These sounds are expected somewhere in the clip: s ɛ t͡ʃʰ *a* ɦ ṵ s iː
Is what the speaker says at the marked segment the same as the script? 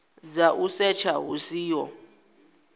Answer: yes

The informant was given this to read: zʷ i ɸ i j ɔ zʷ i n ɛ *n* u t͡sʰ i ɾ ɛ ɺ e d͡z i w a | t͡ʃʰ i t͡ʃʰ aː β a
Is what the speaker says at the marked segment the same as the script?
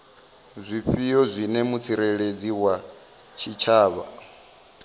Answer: no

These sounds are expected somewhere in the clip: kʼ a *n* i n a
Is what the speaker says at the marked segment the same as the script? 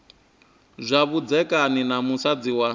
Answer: yes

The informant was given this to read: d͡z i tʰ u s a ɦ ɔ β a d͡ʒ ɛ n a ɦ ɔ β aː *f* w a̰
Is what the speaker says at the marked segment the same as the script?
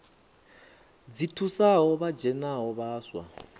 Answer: no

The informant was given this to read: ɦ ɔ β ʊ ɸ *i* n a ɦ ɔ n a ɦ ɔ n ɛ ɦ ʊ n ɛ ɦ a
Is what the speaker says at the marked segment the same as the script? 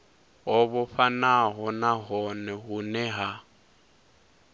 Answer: no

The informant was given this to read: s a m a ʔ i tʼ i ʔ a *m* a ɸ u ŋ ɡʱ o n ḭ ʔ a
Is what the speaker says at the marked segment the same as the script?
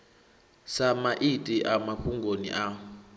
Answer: yes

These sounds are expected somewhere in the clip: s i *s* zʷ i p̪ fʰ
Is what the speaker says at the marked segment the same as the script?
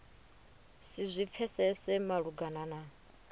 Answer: no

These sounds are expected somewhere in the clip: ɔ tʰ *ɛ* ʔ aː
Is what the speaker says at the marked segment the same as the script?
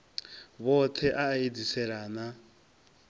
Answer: yes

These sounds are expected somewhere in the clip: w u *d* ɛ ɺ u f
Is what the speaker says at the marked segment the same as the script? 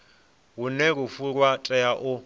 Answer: no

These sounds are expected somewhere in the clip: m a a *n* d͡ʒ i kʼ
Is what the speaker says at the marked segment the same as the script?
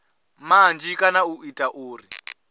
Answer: yes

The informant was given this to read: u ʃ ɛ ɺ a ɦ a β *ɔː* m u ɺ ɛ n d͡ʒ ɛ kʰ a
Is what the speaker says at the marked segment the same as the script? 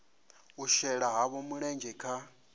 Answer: no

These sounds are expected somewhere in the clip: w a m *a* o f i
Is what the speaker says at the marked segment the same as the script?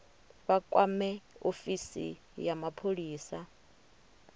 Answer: no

